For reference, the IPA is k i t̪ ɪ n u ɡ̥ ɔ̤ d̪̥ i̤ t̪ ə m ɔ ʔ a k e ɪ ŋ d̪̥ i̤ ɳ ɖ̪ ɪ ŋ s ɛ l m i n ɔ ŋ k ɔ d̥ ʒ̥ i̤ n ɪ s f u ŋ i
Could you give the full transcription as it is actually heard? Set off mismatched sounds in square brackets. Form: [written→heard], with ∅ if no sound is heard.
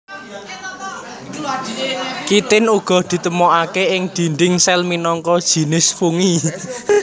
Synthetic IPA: k i t̪ ɪ n u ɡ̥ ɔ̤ d̪̥ i̤ t̪ ə m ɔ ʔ a k e ɪ ŋ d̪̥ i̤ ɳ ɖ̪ ɪ ŋ s ɛ l m i n ɔ ŋ k ɔ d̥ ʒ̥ i̤ n ɪ s f u ŋ i